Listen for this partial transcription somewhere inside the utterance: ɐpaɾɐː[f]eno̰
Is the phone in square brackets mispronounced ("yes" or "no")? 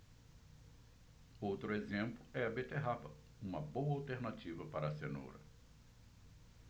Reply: yes